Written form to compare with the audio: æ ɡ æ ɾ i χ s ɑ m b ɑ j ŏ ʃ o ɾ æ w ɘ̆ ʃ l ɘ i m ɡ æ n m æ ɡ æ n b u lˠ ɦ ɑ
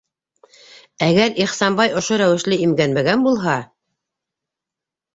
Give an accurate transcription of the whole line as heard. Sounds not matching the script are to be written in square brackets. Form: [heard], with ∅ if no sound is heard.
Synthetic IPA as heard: æ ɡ æ ɾ i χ s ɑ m b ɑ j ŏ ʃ o ɾ æ w ɘ̆ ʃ l ɘ i m ɡ æ n m æ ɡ æ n b u lˠ ɦ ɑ